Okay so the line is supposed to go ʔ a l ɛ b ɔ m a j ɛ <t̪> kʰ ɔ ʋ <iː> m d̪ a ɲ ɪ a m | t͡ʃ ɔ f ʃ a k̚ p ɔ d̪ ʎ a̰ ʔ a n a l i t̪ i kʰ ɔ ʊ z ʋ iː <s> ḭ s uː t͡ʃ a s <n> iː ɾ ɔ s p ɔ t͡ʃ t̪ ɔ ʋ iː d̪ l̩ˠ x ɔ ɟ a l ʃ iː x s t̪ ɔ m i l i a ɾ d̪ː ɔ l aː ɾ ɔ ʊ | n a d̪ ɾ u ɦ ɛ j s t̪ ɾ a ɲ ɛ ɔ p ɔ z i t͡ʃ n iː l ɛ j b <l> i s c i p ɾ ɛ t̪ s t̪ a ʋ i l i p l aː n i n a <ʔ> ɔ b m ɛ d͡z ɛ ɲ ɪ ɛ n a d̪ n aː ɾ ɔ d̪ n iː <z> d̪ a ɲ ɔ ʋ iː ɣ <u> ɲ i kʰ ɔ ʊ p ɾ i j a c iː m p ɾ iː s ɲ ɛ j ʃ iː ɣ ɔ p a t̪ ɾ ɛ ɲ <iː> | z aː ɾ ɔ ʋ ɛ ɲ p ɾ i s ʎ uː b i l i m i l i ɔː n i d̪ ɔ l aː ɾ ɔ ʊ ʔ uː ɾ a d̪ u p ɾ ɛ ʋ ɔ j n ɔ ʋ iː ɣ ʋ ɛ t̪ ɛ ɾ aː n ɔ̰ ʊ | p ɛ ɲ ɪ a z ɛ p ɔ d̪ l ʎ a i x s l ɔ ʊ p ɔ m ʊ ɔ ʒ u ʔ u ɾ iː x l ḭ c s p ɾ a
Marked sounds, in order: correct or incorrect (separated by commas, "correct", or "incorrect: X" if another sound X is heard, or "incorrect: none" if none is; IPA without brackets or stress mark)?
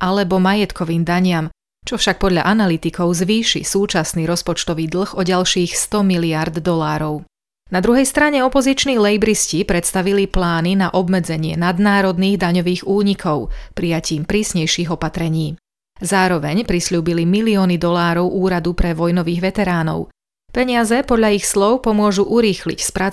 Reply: correct, correct, incorrect: ʃ, correct, incorrect: ɾ, correct, incorrect: ɣ, incorrect: uː, correct